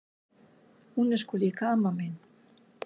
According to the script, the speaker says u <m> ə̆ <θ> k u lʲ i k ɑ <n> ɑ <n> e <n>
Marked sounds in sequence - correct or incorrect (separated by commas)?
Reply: incorrect, incorrect, incorrect, incorrect, correct